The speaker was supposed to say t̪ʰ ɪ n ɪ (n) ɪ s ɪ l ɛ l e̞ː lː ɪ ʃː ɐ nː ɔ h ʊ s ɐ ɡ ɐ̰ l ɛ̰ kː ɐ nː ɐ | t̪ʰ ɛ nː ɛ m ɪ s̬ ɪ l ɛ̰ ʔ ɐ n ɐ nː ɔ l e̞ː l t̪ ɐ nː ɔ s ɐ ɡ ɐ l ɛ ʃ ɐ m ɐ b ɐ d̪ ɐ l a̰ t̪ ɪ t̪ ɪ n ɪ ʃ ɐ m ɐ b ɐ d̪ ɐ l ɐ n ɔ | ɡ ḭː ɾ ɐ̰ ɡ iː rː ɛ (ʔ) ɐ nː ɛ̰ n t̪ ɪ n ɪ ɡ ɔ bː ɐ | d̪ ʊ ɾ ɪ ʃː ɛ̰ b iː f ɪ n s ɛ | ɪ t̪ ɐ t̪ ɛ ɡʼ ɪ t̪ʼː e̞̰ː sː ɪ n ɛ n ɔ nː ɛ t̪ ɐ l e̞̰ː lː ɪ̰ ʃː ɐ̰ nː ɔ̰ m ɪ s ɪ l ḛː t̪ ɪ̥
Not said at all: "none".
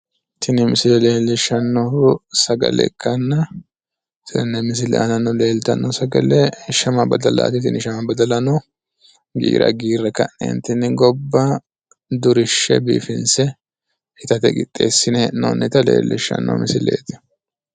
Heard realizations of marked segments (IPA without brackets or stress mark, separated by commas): m, k